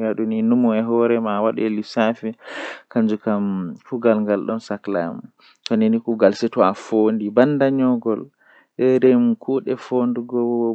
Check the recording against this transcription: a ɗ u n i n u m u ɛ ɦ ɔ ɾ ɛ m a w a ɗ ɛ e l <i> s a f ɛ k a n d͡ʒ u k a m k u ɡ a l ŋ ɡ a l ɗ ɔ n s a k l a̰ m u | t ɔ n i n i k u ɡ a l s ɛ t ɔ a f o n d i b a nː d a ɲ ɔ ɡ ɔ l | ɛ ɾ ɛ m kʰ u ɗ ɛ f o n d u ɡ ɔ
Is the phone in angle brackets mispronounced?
no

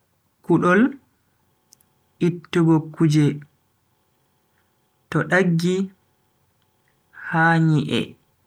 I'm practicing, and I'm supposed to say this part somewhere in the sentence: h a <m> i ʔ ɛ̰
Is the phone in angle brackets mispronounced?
yes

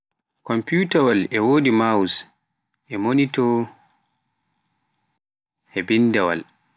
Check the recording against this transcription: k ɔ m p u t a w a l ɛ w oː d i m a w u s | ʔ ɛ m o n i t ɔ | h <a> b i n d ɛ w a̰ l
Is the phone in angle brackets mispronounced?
yes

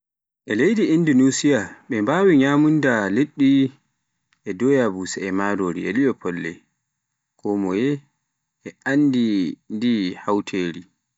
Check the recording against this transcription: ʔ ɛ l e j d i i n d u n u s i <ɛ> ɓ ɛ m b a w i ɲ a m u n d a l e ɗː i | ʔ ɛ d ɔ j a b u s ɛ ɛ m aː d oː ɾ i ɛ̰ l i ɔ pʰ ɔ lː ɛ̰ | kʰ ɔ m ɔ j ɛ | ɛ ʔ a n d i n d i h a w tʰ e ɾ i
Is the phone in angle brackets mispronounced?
yes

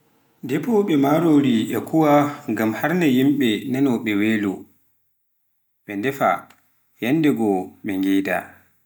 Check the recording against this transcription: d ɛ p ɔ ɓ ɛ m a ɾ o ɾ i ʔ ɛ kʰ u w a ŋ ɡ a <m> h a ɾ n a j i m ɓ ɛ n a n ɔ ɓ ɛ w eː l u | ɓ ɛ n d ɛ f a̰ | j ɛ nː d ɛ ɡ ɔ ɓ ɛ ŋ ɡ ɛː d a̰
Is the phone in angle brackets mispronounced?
no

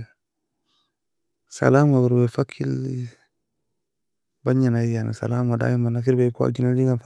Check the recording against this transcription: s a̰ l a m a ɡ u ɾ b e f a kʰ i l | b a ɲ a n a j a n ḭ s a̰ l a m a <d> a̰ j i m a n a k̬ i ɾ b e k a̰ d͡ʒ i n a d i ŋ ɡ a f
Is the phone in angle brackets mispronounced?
no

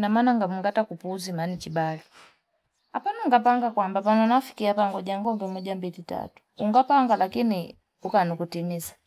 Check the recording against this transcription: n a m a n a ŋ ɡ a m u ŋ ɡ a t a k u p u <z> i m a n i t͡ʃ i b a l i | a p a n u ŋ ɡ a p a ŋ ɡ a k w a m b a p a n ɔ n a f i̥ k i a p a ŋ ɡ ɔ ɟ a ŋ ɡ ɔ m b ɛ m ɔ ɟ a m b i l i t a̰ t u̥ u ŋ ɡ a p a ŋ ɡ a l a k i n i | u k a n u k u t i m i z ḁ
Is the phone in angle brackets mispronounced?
no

